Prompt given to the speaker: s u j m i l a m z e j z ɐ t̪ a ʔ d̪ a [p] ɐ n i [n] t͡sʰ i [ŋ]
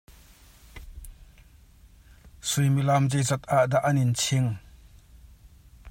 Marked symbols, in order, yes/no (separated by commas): no, yes, yes